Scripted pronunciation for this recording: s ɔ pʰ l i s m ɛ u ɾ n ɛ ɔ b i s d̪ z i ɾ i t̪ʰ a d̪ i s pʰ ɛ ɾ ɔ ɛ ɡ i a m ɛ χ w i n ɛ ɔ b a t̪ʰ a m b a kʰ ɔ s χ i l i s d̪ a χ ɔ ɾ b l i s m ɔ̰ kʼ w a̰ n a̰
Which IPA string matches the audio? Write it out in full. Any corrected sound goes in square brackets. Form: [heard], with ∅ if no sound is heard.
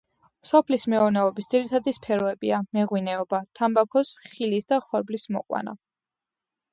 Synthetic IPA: s ɔ pʰ l i s m ɛ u ɾ n ɛ ɔ b i s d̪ z i ɾ i t̪ʰ a d̪ i s pʰ ɛ ɾ ɔ ɛ [b] i a m ɛ [ʁ] w i n ɛ ɔ b a t̪ʰ a m b a kʰ ɔ s χ i l i s d̪ a χ ɔ ɾ b l i s m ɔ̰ [qʼ] w a̰ n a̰